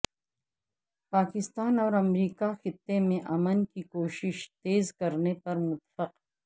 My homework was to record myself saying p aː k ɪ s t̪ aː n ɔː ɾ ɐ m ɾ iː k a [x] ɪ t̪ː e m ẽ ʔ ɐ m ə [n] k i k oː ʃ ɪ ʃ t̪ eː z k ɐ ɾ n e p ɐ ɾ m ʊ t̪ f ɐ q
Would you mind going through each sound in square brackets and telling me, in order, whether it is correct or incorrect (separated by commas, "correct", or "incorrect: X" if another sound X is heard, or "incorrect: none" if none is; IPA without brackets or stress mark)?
correct, correct